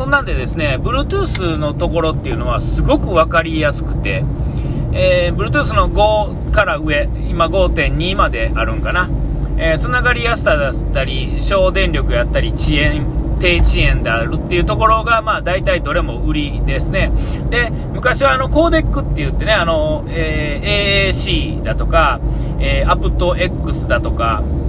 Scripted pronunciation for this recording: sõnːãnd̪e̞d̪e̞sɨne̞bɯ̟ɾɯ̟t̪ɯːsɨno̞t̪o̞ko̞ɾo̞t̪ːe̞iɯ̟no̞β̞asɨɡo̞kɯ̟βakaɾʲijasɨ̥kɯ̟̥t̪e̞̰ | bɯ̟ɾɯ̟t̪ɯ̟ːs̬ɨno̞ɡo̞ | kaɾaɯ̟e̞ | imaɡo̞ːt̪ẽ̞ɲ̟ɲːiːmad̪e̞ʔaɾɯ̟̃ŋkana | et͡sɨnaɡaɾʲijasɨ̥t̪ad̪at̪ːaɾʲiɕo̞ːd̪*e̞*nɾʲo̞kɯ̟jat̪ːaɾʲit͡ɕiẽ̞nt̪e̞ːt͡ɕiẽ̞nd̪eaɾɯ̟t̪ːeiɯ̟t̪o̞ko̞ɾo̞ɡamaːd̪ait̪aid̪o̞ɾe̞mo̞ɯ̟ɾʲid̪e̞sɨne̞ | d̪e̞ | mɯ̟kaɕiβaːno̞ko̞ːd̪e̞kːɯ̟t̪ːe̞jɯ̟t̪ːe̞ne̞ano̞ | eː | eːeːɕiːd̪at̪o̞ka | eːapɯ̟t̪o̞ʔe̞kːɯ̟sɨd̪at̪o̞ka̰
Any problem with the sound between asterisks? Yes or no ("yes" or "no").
yes